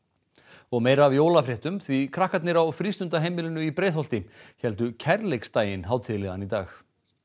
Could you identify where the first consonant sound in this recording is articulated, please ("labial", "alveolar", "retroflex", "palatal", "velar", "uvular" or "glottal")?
velar